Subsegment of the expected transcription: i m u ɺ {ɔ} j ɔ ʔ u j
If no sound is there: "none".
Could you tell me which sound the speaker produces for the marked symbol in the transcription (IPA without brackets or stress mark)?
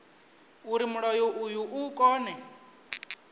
ɔ